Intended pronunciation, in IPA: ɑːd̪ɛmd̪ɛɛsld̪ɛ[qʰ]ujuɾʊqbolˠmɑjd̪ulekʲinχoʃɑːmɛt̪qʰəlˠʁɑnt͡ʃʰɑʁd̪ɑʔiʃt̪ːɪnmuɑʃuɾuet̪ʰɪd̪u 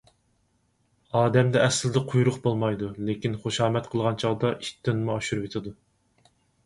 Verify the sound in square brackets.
correct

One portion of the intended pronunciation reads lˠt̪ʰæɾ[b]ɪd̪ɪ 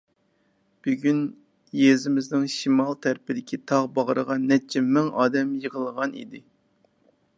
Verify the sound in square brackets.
incorrect: p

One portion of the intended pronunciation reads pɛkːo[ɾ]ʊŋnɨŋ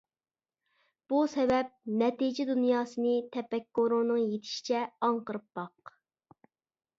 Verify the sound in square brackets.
correct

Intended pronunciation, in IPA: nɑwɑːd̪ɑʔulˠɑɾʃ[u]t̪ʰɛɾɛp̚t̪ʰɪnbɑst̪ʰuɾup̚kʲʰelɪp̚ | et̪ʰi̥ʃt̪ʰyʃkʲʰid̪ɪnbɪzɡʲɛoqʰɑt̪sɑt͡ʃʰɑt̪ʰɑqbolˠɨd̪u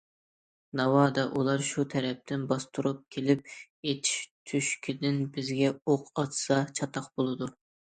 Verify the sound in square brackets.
correct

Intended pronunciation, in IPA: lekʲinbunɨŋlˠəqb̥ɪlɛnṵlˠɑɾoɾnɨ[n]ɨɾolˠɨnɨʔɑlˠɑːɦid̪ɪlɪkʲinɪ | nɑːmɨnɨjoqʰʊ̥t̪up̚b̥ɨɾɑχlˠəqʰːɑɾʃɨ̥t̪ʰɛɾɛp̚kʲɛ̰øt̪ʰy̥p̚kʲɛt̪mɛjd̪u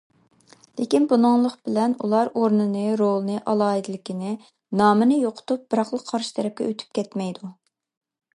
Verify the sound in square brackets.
correct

